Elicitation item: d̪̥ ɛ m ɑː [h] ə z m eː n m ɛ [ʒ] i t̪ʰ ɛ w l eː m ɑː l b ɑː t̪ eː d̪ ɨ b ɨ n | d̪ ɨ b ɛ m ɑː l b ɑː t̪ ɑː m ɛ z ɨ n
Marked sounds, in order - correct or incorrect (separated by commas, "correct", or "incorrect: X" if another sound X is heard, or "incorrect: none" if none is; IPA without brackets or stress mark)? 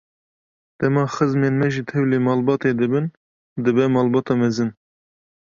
incorrect: x, correct